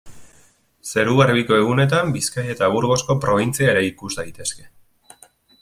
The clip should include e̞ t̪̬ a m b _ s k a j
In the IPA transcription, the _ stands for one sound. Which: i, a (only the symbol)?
i